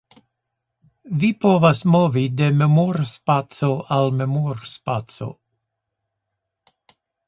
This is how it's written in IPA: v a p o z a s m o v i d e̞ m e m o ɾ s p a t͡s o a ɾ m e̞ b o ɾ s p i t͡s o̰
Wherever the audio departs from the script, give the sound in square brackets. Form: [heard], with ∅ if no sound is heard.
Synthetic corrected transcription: v [i] p o [v] a s m o v i d e̞ m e m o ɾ s p a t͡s o a [l] m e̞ [m] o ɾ s p [a] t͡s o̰